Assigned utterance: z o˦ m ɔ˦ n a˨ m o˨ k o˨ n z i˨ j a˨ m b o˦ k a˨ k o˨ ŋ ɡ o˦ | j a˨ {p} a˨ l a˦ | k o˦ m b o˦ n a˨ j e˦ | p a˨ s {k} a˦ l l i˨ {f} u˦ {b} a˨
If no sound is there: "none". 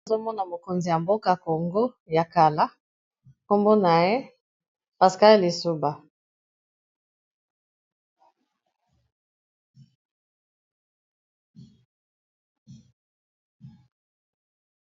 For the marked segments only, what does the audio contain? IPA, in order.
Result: k, k, s, b

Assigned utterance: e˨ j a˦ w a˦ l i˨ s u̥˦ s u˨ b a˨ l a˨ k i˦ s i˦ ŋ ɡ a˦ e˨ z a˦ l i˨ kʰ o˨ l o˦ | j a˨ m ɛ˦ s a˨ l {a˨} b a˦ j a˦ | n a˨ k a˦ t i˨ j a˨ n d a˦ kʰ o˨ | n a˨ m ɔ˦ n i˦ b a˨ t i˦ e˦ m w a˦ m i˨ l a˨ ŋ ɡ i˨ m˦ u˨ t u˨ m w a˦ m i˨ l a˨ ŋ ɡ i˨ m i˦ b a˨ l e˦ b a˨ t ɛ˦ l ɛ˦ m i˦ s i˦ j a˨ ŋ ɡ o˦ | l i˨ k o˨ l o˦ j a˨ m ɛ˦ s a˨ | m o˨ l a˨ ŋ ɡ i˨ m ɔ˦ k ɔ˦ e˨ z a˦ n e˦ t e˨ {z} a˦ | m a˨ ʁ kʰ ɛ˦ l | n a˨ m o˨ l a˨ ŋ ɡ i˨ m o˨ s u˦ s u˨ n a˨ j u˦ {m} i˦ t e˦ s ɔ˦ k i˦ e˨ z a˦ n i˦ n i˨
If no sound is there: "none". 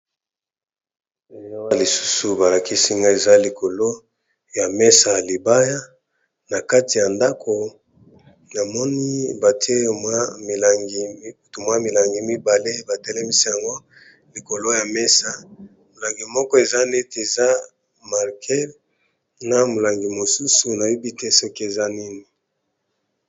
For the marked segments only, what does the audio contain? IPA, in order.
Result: i˨, z, b

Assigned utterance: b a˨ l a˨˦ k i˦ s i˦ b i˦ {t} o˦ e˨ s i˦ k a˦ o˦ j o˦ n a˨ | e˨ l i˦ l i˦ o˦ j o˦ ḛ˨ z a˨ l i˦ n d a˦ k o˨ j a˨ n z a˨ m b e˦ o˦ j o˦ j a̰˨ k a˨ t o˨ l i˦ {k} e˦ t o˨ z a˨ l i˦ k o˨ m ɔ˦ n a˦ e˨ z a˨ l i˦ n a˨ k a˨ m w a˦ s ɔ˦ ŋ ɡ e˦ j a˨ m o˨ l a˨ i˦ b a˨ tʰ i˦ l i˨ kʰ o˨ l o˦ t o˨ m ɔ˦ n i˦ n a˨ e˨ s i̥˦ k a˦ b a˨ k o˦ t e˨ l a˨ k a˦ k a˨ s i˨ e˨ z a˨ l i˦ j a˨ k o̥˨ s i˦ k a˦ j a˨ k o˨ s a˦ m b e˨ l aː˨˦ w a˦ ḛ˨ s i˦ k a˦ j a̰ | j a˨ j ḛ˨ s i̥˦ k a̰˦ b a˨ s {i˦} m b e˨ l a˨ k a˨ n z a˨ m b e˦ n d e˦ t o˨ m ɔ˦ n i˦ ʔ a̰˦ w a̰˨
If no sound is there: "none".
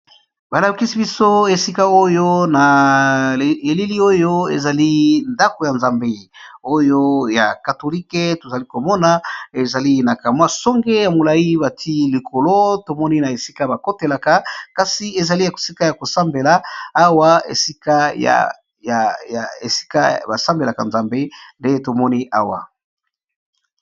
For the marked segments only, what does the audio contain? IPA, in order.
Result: s, k, a˦

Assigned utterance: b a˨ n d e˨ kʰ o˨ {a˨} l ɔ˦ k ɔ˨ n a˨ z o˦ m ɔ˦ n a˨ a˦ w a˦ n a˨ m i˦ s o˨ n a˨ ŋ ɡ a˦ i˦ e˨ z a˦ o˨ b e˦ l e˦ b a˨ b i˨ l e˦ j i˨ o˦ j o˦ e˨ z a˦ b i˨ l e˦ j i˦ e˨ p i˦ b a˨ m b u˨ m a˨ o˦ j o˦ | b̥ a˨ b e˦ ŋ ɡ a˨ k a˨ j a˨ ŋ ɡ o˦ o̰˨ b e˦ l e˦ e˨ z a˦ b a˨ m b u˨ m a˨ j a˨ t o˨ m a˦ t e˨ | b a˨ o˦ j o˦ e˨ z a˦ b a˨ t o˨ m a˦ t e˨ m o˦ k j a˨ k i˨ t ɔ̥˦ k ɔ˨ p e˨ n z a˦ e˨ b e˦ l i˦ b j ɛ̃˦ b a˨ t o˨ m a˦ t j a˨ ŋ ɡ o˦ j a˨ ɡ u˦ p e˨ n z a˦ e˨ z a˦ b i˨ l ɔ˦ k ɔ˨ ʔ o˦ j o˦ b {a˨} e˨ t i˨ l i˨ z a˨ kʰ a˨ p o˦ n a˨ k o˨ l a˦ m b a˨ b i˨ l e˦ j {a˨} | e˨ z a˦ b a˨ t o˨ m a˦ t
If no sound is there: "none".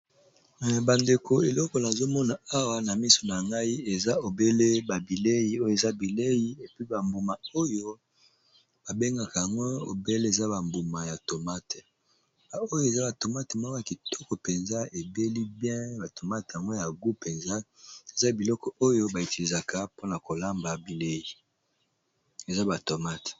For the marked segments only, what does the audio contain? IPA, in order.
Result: e˨, a˨, i˨

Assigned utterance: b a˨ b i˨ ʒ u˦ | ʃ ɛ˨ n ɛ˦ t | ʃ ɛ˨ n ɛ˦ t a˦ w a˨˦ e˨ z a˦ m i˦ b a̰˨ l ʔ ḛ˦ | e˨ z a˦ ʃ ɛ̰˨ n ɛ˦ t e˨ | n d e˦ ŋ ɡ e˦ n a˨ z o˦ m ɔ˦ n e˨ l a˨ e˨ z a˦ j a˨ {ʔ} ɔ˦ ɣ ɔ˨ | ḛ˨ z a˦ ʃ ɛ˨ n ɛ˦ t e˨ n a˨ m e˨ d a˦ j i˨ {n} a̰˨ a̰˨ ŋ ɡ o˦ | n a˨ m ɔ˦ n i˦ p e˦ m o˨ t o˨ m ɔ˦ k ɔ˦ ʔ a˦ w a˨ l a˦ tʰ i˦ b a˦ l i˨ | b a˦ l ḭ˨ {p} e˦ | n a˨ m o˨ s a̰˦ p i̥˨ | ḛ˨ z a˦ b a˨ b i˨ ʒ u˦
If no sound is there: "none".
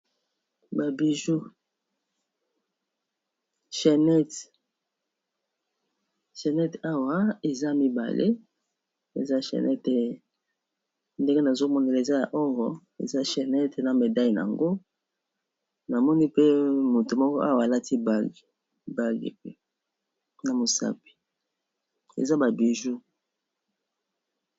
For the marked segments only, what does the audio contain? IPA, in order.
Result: ʔ, n, p

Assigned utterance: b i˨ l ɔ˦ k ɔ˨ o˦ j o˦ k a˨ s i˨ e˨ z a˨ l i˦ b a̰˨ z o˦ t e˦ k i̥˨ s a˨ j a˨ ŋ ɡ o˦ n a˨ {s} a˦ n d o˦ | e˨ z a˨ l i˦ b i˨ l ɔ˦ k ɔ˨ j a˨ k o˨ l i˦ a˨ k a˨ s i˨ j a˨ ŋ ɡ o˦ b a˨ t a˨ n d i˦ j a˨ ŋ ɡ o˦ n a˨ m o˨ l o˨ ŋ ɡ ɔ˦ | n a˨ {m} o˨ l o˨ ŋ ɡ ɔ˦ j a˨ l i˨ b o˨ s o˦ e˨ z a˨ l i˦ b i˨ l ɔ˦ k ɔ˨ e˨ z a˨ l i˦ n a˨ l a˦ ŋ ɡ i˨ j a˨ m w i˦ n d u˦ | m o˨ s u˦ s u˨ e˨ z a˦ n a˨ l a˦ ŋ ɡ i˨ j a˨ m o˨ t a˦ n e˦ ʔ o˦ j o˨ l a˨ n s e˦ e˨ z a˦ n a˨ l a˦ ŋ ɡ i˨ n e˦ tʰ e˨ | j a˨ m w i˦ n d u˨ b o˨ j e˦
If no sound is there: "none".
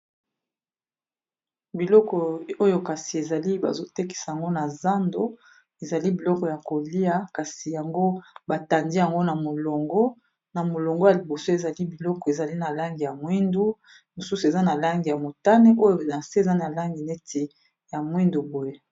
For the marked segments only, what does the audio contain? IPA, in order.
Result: z, m

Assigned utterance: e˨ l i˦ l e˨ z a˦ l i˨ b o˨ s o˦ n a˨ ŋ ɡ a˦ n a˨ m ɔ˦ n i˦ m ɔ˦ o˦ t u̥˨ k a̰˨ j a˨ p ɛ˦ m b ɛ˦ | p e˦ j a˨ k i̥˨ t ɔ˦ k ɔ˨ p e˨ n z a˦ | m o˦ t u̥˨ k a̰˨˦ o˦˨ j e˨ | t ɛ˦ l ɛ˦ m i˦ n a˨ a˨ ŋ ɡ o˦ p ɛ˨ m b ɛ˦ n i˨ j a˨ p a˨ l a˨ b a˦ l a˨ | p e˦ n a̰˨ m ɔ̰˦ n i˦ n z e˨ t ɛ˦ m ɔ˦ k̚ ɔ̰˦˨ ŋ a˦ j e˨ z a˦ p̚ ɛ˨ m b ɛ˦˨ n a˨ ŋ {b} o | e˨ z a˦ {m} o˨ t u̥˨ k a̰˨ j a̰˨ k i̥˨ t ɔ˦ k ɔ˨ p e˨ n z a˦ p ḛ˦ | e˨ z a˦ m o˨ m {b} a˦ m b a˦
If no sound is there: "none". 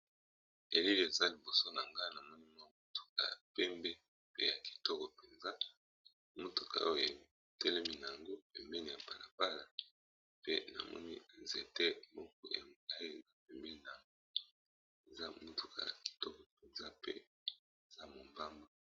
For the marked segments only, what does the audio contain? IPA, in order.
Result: ɡ, m, b

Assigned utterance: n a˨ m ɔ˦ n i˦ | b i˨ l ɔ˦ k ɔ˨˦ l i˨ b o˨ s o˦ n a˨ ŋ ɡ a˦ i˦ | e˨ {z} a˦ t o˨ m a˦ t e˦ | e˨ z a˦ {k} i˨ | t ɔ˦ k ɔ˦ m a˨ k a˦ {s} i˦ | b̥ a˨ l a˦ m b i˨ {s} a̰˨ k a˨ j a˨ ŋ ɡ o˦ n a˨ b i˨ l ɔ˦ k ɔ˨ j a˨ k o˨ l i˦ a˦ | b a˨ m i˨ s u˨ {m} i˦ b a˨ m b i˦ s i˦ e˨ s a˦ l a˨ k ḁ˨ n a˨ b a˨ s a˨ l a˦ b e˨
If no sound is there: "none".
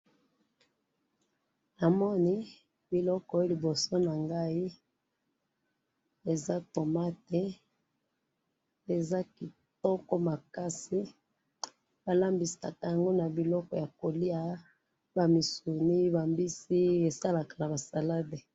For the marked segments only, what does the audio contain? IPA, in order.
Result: z, k, s, s, n

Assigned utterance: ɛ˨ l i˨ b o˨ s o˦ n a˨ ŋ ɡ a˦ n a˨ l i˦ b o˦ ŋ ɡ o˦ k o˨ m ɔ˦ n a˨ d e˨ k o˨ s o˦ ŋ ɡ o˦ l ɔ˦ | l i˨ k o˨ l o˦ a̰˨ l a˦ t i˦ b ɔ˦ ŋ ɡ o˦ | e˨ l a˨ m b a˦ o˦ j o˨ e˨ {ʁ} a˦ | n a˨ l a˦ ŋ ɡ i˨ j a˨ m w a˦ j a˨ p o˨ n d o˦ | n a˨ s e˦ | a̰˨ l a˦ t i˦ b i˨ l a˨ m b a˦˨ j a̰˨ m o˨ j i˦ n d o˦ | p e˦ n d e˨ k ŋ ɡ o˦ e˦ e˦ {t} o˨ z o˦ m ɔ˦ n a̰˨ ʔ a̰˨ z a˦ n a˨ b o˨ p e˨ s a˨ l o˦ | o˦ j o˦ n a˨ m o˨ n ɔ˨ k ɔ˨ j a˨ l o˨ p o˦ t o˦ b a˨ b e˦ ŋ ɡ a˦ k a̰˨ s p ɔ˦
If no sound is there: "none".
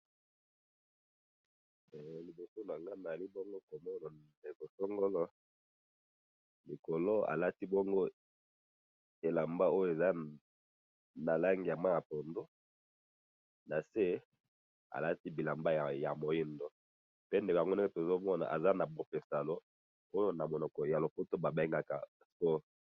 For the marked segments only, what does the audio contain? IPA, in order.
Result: z, t

